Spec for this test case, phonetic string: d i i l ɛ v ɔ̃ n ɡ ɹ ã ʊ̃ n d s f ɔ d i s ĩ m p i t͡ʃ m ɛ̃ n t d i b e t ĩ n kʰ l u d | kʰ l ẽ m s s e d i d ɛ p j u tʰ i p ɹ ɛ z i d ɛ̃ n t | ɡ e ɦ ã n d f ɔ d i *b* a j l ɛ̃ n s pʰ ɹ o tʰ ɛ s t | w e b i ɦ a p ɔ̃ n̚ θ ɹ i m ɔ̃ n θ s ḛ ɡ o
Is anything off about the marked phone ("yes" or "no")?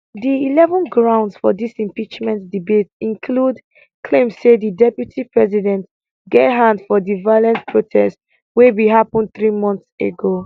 yes